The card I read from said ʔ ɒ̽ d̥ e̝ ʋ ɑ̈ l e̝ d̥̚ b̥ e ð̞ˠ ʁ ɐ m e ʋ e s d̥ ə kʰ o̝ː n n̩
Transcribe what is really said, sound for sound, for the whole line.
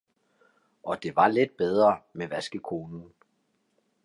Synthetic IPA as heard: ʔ ɒ̽ d̥ e̝ ʋ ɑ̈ l e̝ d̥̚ b̥ e ð̞ˠ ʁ ɐ m e ʋ æ s ɡ̥ ə kʰ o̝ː n n̩